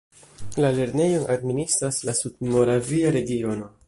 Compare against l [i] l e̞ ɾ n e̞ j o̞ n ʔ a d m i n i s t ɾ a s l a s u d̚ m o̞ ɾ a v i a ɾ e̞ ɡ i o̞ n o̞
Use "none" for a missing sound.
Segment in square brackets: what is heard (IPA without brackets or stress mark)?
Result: a